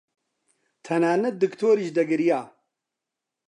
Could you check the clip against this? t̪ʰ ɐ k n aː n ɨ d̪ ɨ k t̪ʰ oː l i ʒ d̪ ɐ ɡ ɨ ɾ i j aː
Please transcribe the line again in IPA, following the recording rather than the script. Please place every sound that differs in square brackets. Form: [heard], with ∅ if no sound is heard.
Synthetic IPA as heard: t̪ʰ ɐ [∅] n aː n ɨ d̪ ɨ k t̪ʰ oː [ɾ] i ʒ d̪ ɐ ɡ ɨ ɾ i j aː